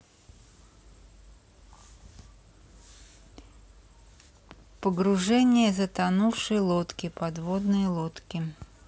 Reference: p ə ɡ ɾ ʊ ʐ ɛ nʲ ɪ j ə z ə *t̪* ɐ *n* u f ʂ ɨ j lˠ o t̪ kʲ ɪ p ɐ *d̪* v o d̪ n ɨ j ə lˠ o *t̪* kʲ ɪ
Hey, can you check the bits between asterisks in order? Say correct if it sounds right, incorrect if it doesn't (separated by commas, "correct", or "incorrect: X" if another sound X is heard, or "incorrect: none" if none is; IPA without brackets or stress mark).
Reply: correct, correct, correct, correct